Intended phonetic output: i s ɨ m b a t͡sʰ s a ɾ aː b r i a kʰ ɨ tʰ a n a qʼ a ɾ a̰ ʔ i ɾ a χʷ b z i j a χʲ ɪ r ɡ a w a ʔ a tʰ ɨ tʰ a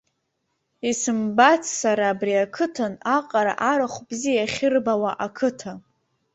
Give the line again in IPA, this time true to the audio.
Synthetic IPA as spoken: i s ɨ m b a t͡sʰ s a ɾ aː b r i a kʰ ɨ tʰ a n a qʼ a ɾ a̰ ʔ a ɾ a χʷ b z i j a χʲ ɪ r b a w a ʔ a kʰ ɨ tʰ a